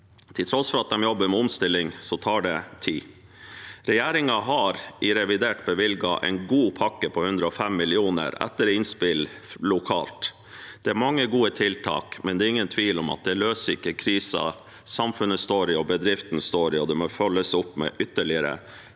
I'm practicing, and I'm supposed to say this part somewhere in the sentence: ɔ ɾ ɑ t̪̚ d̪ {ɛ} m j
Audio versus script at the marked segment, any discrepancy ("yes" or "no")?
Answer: no